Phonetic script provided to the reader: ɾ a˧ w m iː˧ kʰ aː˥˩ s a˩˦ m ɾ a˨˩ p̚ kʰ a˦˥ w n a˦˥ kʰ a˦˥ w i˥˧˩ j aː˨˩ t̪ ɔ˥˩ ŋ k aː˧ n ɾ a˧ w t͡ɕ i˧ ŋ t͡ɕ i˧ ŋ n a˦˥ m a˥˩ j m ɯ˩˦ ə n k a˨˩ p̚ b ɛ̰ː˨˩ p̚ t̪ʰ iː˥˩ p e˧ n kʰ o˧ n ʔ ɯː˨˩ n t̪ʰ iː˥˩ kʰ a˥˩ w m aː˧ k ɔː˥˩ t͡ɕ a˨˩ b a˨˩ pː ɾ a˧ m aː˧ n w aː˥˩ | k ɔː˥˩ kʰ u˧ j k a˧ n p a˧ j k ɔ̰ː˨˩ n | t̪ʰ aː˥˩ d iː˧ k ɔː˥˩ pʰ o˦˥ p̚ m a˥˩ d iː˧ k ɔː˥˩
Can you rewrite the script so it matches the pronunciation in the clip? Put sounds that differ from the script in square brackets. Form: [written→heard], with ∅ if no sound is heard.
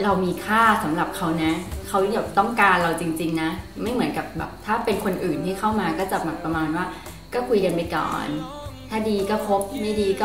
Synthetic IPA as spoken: ɾ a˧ w m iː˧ kʰ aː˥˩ s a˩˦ m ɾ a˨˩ p̚ kʰ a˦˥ w n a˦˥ kʰ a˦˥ w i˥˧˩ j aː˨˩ t̪ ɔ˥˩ ŋ k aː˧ n ɾ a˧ w t͡ɕ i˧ ŋ t͡ɕ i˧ ŋ n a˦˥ m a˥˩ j m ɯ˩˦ ə n k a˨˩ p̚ b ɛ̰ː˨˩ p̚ t̪ʰ [iː˥˩→aː˥˩] p e˧ n kʰ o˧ n ʔ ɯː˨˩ n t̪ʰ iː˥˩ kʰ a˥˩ w m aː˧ k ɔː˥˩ t͡ɕ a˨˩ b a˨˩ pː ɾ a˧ m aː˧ n w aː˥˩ | k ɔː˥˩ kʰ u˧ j k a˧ n p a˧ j k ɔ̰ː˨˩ n | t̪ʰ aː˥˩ d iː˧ k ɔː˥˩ pʰ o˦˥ p̚ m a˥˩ d iː˧ k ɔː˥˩